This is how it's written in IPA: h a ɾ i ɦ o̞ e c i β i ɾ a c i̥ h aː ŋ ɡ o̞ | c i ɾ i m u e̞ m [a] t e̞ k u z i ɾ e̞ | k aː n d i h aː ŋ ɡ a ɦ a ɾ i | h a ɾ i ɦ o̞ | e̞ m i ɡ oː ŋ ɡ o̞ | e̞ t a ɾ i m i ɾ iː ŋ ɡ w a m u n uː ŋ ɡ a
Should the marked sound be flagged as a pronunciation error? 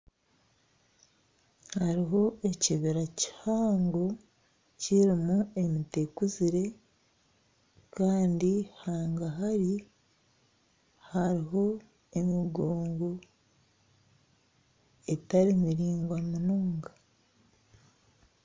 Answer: yes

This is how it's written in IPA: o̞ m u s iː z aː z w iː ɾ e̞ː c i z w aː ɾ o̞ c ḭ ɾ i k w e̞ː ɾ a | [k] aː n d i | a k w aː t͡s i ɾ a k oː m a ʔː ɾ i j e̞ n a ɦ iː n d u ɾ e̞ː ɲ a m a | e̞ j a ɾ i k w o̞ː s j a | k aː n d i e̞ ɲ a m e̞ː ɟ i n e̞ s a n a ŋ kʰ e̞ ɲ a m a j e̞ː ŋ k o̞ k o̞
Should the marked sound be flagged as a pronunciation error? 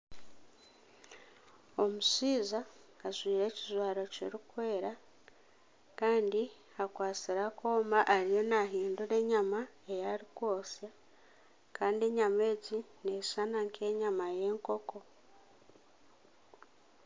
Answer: no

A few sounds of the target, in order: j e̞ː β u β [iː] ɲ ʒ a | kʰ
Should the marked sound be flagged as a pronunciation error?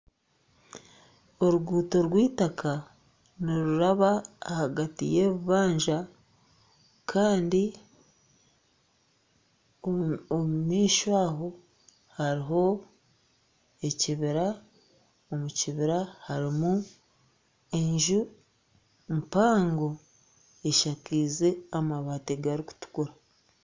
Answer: yes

